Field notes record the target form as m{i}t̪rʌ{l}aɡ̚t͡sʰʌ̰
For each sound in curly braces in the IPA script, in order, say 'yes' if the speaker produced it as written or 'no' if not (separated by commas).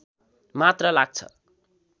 no, yes